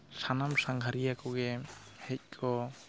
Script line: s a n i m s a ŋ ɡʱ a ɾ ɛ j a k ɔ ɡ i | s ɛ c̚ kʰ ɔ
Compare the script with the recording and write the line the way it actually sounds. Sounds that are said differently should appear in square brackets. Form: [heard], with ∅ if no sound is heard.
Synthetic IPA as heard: s a n [a] m s a ŋ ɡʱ a ɾ [i] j a k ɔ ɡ [ɛ] | [h] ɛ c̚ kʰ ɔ